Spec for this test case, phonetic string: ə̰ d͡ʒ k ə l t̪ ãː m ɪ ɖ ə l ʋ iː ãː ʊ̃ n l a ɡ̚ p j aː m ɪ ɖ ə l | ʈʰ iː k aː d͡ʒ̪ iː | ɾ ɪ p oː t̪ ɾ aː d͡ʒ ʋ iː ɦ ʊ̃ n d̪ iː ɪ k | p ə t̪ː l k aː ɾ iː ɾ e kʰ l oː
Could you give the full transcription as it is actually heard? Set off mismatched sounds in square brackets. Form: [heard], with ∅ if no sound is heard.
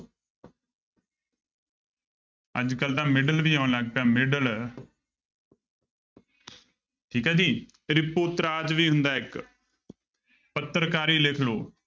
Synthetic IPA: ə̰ d͡ʒ k ə l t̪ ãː m ɪ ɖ ə l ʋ iː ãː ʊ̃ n l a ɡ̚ p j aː m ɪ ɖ ə l | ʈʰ iː k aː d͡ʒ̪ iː | ɾ ɪ p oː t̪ ɾ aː d͡ʒ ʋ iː ɦ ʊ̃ n d̪ [aː] ɪ k | p ə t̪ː [ɾ] k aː ɾ iː [l] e kʰ l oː

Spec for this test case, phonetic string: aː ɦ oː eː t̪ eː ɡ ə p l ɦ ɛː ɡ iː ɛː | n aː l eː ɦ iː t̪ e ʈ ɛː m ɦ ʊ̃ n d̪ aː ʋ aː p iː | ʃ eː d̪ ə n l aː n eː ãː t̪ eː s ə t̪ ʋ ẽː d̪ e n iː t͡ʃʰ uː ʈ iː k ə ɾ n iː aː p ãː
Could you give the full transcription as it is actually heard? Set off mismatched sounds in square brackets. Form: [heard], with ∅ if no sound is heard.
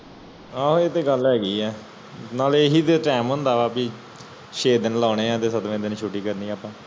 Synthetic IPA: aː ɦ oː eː t̪ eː ɡ ə [∅] l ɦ ɛː ɡ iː ɛː | n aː l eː ɦ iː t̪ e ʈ ɛː m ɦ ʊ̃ n d̪ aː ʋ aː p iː | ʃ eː d̪ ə n l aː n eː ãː t̪ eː s ə t̪ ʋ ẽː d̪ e n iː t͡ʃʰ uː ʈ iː k ə ɾ n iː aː p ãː

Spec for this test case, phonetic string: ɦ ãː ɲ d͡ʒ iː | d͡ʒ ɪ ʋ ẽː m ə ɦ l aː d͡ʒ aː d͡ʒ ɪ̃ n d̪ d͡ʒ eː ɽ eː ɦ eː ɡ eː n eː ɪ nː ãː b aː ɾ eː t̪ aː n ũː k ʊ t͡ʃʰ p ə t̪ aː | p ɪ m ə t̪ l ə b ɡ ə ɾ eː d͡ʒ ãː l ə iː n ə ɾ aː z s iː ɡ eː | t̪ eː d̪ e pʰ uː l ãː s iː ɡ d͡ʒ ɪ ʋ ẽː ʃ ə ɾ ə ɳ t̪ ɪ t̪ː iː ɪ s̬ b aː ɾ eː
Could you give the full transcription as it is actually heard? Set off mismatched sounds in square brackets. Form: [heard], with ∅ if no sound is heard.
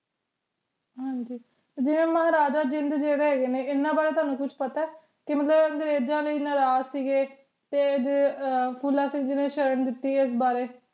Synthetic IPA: ɦ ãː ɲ d͡ʒ iː | d͡ʒ ɪ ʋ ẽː m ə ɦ [ɾ] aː d͡ʒ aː d͡ʒ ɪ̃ n d̪ d͡ʒ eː ɽ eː ɦ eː ɡ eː n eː ɪ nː ãː b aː ɾ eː t̪ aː n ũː k ʊ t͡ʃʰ p ə t̪ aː | [k] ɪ m ə t̪ l ə b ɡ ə ɾ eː d͡ʒ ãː l ə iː n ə ɾ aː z s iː ɡ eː | t̪ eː d̪ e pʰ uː l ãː s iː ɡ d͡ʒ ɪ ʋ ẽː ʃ ə ɾ ə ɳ [d̪] ɪ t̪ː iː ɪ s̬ b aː ɾ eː

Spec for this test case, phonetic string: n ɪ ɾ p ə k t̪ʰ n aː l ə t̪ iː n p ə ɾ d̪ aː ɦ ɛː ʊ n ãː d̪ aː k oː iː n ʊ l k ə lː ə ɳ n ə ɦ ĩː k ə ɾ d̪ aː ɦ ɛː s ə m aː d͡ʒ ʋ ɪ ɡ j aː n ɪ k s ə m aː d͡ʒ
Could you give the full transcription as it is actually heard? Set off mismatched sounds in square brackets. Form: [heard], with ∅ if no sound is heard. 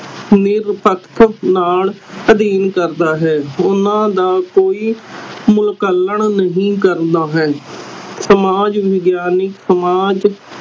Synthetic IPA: n ɪ ɾ p ə k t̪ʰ n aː l ə [d̪] iː n [k] ə ɾ d̪ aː ɦ ɛː ʊ n ãː d̪ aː k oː iː [m] ʊ l k ə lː ə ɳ n ə ɦ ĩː k ə ɾ d̪ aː ɦ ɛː s ə m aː d͡ʒ ʋ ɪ ɡ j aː n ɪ k s ə m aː d͡ʒ

